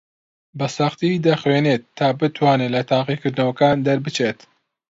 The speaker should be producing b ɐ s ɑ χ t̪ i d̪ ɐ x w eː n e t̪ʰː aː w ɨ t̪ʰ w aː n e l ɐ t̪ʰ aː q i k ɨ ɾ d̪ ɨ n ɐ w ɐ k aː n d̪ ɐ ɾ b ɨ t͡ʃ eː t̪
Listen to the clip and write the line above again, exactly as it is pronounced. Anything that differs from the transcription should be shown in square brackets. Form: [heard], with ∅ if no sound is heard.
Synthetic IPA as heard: b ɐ s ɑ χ t̪ i d̪ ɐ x w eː n e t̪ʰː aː [b] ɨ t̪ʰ w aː n e l ɐ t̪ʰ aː q i k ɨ ɾ d̪ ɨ n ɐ w ɐ k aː n d̪ ɐ ɾ b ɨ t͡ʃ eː t̪